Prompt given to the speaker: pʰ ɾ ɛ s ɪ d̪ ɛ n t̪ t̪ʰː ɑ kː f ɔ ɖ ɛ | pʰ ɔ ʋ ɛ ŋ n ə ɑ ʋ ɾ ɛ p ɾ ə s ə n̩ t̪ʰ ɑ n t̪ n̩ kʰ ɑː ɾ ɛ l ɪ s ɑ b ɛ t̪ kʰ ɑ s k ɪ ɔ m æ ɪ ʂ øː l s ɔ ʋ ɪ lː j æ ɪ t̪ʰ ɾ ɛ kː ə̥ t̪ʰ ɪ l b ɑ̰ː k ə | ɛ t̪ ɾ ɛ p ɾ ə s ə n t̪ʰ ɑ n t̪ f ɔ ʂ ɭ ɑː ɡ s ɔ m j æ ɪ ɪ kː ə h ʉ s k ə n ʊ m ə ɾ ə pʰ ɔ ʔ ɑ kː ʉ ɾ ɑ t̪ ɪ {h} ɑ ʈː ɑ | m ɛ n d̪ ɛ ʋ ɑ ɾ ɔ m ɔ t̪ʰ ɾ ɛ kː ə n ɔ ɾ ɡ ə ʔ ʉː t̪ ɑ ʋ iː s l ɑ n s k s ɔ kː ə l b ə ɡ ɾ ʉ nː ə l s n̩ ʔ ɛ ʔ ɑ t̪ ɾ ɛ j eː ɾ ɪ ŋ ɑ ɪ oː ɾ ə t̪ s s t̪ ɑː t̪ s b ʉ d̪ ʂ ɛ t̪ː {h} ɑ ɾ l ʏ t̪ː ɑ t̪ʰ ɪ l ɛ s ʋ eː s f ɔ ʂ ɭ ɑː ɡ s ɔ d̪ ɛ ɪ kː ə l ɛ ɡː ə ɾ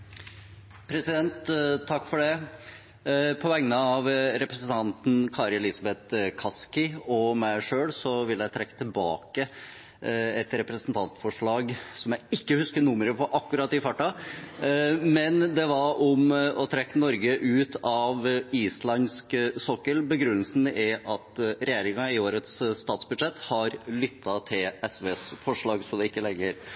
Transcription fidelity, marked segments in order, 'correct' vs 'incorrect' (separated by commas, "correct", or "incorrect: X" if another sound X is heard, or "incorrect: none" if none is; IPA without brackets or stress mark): incorrect: f, correct